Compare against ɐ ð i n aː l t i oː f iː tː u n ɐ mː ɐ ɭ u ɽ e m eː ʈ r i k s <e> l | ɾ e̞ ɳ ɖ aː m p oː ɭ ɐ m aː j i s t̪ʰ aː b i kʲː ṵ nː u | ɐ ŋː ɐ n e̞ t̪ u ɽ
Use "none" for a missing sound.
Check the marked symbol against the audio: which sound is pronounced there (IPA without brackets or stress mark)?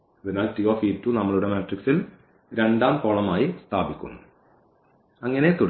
i